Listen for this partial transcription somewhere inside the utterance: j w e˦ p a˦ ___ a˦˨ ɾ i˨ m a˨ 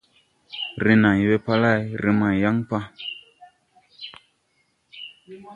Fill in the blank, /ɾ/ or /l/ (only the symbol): l